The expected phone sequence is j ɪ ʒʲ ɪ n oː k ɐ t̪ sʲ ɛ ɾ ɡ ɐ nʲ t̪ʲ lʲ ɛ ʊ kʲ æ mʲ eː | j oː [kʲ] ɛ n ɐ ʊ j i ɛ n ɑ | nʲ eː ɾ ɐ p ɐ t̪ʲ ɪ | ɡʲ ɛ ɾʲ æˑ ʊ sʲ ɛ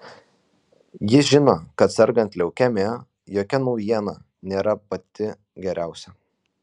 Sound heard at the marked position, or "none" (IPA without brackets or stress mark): kʲ